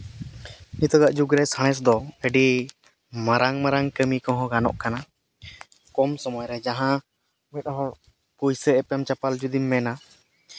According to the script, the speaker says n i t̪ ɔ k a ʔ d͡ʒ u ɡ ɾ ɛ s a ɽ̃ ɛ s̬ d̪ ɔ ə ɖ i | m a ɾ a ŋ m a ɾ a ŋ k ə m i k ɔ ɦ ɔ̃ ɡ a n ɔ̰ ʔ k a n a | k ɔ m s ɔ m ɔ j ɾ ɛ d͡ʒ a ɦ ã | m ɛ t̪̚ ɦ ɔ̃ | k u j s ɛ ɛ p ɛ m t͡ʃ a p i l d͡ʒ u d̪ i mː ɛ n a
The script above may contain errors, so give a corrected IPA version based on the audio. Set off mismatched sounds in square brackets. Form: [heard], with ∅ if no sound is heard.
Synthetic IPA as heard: n i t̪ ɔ [ɡ] a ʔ d͡ʒ u ɡ ɾ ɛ s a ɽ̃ ɛ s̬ d̪ ɔ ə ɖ i | m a ɾ a ŋ m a ɾ a ŋ k ə m i k ɔ ɦ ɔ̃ ɡ a n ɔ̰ ʔ k a n a | k ɔ m s ɔ m ɔ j ɾ ɛ d͡ʒ a ɦ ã | m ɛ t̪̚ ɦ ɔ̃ | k u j s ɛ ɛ p ɛ m t͡ʃ a p [a] l d͡ʒ u d̪ i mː ɛ n a